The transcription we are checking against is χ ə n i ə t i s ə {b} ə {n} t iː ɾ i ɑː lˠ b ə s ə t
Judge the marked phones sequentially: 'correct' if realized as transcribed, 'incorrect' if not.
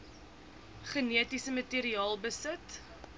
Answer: incorrect, incorrect

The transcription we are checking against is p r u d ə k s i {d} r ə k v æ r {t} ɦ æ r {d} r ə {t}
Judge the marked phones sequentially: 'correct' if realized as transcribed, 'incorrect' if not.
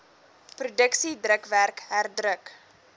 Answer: correct, incorrect, correct, incorrect

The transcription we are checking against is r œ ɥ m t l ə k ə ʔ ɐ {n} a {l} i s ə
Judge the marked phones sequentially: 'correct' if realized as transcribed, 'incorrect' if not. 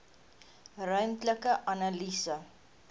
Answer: correct, correct

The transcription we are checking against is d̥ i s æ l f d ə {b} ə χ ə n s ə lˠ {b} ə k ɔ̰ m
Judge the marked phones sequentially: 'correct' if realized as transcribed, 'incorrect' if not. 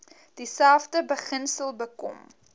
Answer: correct, correct

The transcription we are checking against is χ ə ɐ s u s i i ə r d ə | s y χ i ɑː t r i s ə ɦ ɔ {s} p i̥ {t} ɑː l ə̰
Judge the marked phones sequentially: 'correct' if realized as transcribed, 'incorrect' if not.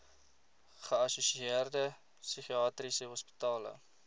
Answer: correct, correct

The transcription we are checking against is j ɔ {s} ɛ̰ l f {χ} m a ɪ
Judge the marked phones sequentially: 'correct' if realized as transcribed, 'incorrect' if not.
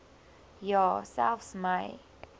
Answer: correct, incorrect

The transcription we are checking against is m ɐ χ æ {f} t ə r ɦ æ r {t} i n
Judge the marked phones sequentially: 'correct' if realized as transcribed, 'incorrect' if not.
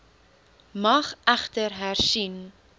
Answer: incorrect, incorrect

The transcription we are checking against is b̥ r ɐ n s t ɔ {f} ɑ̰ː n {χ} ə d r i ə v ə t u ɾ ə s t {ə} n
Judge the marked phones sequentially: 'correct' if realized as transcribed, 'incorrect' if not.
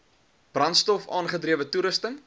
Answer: correct, correct, correct

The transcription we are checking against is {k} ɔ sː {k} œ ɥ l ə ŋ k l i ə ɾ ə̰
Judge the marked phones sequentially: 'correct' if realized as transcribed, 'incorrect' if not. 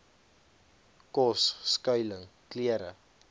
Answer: correct, correct

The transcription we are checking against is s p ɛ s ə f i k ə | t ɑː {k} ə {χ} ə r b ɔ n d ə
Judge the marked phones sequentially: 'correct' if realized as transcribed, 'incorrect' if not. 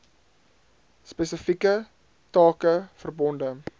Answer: correct, incorrect

